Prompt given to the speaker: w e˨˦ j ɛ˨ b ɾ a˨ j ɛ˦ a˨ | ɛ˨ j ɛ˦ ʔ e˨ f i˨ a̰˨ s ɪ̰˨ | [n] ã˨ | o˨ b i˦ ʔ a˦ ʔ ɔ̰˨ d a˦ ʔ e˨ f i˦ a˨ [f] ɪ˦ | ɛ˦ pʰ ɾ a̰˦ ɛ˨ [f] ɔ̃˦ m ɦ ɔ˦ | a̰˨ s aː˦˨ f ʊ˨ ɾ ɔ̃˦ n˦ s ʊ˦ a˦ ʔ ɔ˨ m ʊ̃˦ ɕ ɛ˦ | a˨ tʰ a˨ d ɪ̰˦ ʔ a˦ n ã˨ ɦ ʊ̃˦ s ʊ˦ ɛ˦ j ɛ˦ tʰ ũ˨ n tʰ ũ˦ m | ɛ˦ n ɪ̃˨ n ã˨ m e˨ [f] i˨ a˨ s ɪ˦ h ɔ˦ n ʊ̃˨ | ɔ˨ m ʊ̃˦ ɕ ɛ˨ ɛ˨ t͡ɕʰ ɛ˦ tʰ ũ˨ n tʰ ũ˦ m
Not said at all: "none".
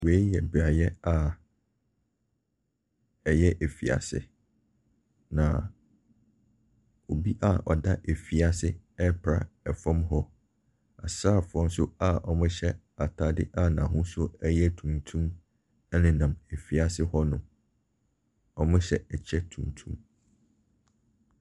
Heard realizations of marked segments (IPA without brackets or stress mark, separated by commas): n, s, f, f